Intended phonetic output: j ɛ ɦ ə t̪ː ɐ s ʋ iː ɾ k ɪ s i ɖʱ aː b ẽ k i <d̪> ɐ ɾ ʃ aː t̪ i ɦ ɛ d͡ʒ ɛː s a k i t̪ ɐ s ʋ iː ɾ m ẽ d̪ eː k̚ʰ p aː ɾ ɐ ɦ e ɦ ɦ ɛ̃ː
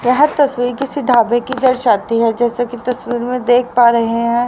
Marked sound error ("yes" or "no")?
no